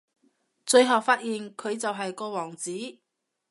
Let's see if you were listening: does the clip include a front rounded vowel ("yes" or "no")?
no